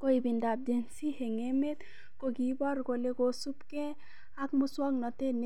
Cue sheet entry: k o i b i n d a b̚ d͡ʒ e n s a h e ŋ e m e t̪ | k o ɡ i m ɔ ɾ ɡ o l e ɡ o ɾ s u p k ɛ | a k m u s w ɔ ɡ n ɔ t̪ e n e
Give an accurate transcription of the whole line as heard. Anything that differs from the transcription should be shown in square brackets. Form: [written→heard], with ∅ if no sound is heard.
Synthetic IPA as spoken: k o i b i n d a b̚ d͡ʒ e n s [a→i] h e ŋ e m e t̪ | k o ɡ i [m→b] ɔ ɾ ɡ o l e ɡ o [ɾ→∅] s u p k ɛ | a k m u s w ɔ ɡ n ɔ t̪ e n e